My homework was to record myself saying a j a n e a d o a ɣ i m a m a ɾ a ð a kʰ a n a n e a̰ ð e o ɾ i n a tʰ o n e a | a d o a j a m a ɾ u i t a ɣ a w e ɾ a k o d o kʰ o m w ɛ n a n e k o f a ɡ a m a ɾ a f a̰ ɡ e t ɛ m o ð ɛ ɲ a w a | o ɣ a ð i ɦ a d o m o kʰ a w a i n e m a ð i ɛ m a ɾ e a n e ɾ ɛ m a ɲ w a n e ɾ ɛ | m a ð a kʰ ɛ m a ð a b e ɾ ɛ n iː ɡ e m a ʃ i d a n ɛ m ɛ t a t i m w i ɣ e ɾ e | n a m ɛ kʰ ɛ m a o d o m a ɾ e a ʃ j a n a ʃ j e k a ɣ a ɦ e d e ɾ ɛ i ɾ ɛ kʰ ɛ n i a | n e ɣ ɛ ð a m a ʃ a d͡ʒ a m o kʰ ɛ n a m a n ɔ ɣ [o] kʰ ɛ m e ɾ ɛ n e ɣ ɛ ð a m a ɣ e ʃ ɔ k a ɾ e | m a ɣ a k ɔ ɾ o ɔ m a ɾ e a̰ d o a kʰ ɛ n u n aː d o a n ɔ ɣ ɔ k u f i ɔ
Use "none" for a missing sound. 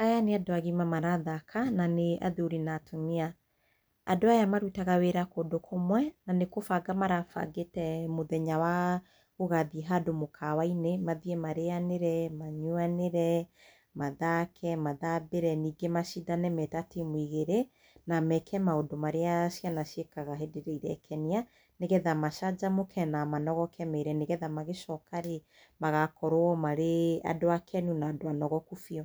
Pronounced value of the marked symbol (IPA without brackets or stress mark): ɔ